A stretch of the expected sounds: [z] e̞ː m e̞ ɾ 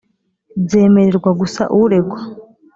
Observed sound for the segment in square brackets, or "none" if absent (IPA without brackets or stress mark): z